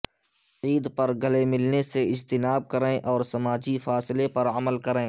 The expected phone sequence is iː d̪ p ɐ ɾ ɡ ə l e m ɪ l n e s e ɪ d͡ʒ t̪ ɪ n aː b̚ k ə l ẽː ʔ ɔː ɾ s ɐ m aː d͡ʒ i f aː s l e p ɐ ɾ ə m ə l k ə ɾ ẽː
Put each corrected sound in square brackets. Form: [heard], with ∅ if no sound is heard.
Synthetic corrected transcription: iː d̪ p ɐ ɾ ɡ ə l e m ɪ l n e s e ɪ d͡ʒ t̪ ɪ n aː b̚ k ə [ɾ] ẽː ʔ ɔː ɾ s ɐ m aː d͡ʒ i f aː s l e p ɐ ɾ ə m ə l k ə ɾ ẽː